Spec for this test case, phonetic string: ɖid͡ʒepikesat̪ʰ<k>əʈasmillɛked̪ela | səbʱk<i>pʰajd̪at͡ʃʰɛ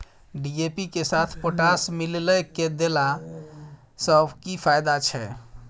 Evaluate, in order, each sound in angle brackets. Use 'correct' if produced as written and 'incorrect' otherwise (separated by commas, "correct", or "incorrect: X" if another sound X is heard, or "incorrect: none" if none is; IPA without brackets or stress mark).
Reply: incorrect: p, correct